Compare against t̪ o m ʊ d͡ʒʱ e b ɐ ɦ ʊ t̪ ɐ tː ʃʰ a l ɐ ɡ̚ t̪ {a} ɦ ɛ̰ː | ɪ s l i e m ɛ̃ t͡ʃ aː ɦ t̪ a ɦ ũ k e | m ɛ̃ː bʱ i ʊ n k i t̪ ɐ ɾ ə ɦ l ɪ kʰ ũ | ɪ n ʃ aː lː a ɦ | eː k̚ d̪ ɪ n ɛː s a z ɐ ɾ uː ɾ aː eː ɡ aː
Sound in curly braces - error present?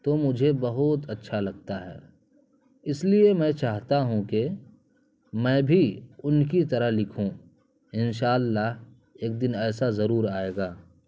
no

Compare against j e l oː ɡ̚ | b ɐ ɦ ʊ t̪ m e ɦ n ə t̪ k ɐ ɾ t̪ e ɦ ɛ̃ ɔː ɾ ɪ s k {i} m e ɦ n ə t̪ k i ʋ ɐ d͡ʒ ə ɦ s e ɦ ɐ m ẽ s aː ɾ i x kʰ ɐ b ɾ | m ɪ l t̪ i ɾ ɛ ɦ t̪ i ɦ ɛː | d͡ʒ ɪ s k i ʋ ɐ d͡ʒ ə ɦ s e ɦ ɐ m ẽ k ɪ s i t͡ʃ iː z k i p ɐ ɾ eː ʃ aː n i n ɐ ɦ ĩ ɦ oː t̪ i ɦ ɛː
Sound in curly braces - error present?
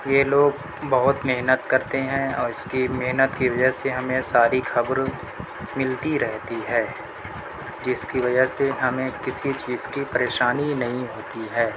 no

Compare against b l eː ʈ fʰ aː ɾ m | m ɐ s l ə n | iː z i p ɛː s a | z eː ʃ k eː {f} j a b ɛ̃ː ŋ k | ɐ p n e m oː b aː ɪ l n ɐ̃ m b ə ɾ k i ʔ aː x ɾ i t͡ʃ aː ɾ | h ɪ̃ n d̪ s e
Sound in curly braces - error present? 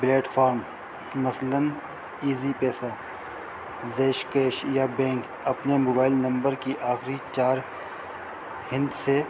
yes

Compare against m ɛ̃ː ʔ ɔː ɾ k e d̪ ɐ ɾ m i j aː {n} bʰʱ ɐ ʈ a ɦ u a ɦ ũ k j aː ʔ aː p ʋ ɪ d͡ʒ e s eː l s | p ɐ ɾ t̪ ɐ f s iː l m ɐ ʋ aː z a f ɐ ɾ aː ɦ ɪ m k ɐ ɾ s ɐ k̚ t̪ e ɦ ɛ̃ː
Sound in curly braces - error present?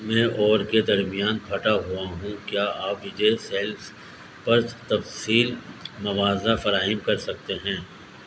no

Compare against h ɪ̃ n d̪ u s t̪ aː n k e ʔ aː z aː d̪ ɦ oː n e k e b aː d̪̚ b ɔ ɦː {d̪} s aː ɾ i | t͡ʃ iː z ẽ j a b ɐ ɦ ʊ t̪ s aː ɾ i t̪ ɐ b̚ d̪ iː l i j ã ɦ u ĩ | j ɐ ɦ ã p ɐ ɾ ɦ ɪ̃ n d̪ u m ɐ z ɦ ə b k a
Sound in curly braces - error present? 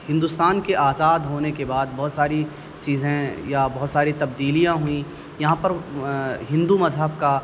yes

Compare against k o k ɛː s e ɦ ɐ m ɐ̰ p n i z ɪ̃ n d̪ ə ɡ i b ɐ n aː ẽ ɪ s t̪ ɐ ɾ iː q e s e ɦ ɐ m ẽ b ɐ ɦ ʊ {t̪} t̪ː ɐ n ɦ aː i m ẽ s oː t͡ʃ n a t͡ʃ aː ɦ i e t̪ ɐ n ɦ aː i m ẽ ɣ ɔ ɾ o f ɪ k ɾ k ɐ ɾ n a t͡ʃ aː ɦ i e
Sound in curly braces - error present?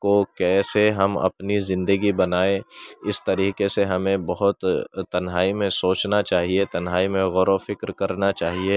no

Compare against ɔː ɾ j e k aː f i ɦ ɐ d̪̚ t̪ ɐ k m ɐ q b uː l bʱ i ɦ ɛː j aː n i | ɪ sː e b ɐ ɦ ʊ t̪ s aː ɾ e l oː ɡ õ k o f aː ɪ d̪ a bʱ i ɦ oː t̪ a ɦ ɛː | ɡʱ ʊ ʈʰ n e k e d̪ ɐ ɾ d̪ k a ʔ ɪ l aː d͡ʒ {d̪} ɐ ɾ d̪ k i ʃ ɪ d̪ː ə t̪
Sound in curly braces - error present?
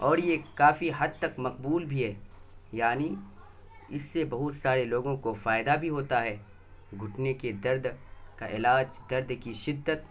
no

